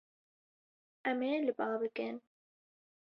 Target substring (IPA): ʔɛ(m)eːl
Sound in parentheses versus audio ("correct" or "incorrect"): correct